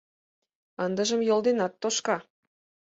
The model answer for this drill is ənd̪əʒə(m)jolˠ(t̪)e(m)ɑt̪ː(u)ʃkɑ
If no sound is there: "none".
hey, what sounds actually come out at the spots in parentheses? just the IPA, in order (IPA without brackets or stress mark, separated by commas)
m, d̪, n, o